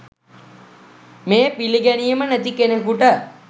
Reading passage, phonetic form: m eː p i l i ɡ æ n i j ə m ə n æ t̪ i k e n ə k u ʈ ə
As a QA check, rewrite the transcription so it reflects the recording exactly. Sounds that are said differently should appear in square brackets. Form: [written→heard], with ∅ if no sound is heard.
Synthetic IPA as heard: m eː p i l i ɡ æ n i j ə m ə n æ t̪ i k e n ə k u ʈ ə